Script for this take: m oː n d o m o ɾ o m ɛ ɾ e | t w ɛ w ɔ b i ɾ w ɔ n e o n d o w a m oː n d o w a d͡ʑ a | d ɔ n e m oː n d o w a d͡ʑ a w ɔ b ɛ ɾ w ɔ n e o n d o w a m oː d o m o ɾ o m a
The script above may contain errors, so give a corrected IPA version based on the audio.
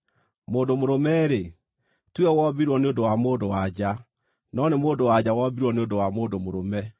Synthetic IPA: m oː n d o m o ɾ o m ɛ ɾ e | t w ɛ w ɔ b i ɾ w ɔ n e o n d o w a m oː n d o w a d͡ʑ a | n ɔ n e m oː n d o w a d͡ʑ a w ɔ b i ɾ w ɔ n e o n d o w a m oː d o m o ɾ o m ɛ

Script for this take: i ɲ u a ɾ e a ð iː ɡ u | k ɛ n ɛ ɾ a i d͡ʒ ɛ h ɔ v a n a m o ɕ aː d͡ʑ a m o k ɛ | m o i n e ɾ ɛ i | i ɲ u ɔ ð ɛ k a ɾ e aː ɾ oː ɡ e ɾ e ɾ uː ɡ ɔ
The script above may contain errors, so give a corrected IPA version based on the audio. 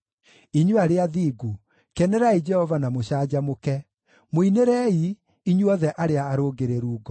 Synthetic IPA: i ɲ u a ɾ e a ð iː ɡ u | k ɛ n ɛ ɾ a i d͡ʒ ɛ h ɔ v a n a m o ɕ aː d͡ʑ a m o k ɛ | m o i n e ɾ ɛ i | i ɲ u ɔ ð ɛ ʔ a ɾ e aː ɾ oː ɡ e ɾ e ɾ uː ɡ ɔ

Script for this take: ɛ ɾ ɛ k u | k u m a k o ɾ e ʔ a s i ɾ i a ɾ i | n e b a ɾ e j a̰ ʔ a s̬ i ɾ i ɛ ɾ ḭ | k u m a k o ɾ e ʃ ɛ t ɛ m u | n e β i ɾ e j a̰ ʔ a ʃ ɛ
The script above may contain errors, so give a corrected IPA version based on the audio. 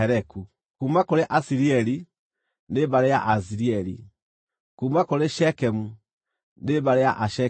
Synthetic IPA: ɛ ɾ ɛ k u | k u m a k o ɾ e ʔ a s i ɾ i ɛ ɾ i | n e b a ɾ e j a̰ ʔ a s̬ i ɾ i ɛ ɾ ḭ | k u m a k o ɾ e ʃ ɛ k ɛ m u | n e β a ɾ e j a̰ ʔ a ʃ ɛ

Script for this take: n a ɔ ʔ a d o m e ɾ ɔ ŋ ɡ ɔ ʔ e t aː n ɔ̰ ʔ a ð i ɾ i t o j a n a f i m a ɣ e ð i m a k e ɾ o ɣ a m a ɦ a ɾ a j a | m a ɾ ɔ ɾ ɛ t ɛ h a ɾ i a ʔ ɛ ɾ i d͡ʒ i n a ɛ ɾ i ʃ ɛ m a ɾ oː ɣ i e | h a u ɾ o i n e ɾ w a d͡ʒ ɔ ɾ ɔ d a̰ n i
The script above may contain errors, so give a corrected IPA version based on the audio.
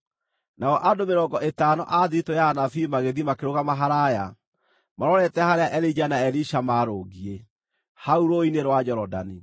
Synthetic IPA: n a ɔ ʔ a d o m e ɾ ɔ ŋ ɡ ɔ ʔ e t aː n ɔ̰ ʔ a ð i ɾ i t o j a n a f i m a ɣ e ð i m a k e ɾ o ɣ a m a ɦ a ɾ a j a | m a ɾ ɔ ɾ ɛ t ɛ h a ɾ e a ʔ ɛ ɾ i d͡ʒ a n a ɛ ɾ i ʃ a m a ɾ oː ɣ i e | h a u ɾ o i n e ɾ w a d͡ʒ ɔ ɾ ɔ d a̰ n i

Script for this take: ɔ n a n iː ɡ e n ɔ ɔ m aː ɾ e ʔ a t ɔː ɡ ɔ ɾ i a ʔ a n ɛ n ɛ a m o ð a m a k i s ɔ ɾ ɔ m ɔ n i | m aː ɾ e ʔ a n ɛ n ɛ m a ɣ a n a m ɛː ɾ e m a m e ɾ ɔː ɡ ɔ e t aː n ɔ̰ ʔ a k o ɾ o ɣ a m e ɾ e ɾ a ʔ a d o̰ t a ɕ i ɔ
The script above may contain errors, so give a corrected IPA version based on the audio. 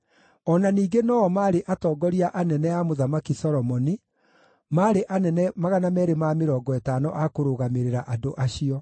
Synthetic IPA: ɔ n a n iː ɡ e n ɔ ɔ m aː ɾ e ʔ a t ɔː ɡ ɔ ɾ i a ʔ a n ɛ n ɛ a m o ð a m a k i s ɔ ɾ ɔ m ɔ n i | m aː ɾ e ʔ a n ɛ n ɛ m a ɣ a n a m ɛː ɾ e m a m e ɾ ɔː ɡ ɔ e t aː n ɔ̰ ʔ a k o ɾ o ɣ a m e ɾ e ɾ a ʔ a d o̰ ʔ a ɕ i ɔ

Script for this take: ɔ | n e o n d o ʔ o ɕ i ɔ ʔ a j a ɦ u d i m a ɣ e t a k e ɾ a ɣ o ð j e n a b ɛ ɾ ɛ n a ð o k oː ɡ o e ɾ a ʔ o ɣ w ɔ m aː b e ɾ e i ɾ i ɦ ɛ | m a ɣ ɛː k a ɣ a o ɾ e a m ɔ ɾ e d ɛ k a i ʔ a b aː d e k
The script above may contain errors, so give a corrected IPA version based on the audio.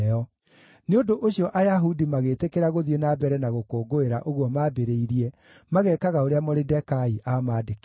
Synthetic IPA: ɔ | n e o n d o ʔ o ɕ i ɔ ʔ a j a ɦ u d i m a ɣ e t e k e ɾ a ɣ o ð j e n a b ɛ ɾ ɛ n a ɣ o k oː ɡ o e ɾ a ʔ o ɣ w ɔ m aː b e ɾ e i ɾ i ɛ | m a ɣ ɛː k a ɣ a o ɾ e a m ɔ ɾ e d ɛ k a i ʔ a m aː d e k

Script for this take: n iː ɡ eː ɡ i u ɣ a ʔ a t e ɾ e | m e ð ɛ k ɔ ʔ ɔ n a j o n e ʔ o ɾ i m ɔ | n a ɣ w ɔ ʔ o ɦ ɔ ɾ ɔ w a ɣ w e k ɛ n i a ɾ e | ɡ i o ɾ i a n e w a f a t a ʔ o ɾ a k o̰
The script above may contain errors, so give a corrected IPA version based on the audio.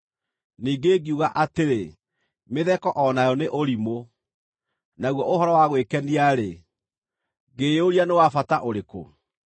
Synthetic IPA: n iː ɡ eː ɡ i u ɣ a ʔ a t e ɾ e | m e ð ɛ k ɔ ʔ ɔ n a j ɔ n e ʔ o ɾ i m o | n a ɣ w ɔ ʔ o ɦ ɔ ɾ ɔ w a ɣ w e k ɛ n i a ɾ e | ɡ e o ɾ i a n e w a f a t a ʔ o ɾ e k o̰

